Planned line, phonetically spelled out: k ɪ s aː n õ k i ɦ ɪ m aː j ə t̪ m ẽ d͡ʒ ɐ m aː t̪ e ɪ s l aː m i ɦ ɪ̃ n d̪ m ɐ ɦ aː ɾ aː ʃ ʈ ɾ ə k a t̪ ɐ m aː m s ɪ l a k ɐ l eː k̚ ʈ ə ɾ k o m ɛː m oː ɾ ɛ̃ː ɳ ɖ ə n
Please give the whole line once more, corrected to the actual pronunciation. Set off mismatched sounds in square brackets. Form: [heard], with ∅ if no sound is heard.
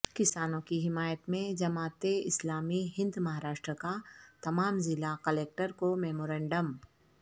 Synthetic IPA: k ɪ s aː n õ k i ɦ ɪ m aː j ə t̪ m ẽ d͡ʒ ɐ m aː t̪ e ɪ s l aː m i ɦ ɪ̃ n d̪ m ɐ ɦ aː ɾ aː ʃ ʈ ɾ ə k a t̪ ɐ m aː m [z] ɪ l a k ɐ l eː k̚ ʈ ə ɾ k o m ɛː m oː ɾ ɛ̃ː ɳ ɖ ə [m]